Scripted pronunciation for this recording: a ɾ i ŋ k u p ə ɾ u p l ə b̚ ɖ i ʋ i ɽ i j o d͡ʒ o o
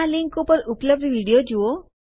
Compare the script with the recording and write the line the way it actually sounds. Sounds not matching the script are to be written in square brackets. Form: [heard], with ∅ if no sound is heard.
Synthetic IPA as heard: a [l] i ŋ k u p ə ɾ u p l ə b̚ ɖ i ʋ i ɽ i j o d͡ʒ [u] o